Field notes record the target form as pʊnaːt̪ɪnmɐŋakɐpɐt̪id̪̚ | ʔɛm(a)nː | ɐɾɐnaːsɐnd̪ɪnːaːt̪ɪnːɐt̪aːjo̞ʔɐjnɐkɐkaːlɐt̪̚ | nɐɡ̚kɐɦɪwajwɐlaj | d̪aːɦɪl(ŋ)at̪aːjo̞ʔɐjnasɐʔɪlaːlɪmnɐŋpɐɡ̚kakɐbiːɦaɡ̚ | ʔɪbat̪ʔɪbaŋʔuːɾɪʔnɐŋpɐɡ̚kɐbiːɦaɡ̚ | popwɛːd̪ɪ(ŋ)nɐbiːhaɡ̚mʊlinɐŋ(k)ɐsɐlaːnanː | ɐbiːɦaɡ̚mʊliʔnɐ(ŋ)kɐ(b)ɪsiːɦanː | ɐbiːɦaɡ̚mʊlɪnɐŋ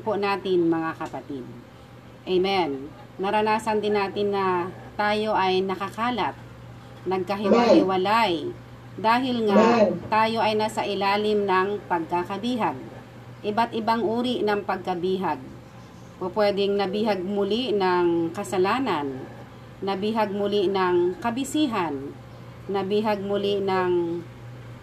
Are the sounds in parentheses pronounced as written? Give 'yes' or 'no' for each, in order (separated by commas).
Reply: no, yes, yes, yes, yes, yes